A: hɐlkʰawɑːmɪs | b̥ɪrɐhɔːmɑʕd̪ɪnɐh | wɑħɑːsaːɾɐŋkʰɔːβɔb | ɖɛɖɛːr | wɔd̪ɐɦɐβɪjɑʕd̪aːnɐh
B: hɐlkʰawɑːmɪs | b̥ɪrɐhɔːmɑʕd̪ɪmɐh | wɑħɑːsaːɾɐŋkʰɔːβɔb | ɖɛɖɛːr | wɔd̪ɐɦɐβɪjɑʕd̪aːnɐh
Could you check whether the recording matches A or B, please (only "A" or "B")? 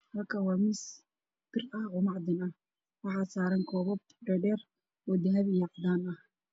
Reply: A